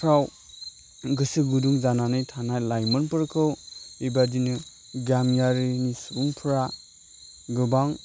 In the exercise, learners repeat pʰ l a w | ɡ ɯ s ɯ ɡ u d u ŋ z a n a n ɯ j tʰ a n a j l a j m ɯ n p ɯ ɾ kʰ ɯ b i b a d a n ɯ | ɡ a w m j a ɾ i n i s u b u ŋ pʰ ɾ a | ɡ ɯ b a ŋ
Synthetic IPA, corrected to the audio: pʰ ɾ a w | ɡ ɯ s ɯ ɡ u d u ŋ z a n a n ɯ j tʰ a n a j l a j m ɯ n p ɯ ɾ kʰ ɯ w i b a d i n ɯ | ɡ a m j a ɾ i n i s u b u ŋ pʰ ɾ a | ɡ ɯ b a ŋ